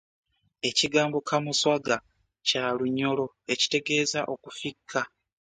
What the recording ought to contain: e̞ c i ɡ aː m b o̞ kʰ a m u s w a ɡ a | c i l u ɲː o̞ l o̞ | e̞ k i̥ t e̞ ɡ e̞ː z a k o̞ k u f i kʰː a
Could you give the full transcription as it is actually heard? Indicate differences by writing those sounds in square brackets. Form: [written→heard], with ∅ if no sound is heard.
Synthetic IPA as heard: e̞ c i ɡ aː m b o̞ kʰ a m u s w a ɡ a | c [i→a] l u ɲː o̞ l o̞ | e̞ [k→c] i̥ t e̞ ɡ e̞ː z a [k→ʔ] o̞ k u f i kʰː a